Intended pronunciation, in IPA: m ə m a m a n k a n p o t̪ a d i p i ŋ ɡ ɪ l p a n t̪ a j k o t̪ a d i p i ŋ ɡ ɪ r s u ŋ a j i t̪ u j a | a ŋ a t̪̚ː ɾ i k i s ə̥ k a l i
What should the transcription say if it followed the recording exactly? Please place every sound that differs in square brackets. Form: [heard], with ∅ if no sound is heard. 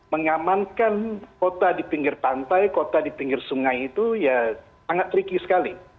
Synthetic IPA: m ə [ŋ] a m a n k a n [k] o t̪ a d i p i ŋ ɡ ɪ [r] p a n t̪ a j k o t̪ a d i p i ŋ ɡ ɪ r s u ŋ a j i t̪ u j a | a ŋ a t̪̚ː ɾ i k i s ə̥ k a l i